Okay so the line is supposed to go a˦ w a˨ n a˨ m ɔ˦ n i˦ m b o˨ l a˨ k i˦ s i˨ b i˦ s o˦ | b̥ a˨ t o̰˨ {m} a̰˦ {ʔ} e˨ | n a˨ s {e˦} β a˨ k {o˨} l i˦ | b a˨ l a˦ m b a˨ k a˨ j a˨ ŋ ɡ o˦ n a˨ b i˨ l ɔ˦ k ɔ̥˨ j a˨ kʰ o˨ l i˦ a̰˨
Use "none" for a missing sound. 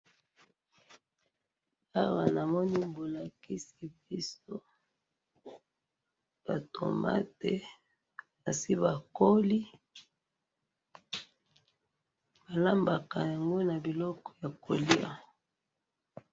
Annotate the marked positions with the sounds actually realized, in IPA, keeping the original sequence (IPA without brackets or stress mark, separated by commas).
m, t, i˦, o˦